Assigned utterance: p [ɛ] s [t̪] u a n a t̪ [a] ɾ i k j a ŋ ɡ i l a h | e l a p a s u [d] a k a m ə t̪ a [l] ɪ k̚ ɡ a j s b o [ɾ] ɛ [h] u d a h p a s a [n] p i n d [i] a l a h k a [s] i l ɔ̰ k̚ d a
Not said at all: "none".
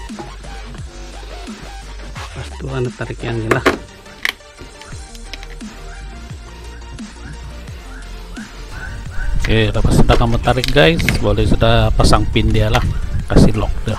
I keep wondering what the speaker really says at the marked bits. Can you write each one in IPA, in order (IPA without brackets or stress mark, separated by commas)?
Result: a, t̪, a, d, ɾ, l, s, ŋ, i, s